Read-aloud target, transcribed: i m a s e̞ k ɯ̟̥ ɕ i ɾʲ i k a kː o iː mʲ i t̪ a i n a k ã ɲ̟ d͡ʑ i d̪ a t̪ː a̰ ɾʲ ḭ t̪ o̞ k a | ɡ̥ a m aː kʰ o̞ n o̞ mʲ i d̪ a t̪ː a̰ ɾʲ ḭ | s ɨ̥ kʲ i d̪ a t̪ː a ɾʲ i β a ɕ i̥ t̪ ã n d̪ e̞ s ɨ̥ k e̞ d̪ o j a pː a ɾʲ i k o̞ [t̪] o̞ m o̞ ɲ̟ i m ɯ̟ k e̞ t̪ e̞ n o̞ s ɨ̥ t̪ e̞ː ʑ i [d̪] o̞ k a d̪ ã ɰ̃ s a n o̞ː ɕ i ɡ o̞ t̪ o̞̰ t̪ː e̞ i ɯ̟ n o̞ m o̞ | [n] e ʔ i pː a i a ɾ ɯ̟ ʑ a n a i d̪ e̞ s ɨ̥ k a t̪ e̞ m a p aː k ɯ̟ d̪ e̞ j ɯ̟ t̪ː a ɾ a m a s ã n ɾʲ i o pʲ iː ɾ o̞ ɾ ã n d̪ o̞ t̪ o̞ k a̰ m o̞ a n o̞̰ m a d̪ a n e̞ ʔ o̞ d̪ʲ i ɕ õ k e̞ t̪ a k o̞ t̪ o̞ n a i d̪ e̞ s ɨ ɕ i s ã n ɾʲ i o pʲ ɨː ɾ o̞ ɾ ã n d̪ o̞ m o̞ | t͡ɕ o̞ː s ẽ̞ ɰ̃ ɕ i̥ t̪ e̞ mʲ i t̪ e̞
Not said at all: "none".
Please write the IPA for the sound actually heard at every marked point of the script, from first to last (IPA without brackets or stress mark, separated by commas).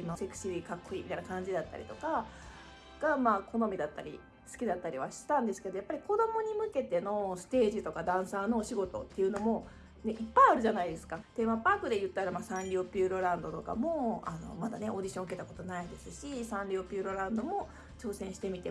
d̪, t̪, n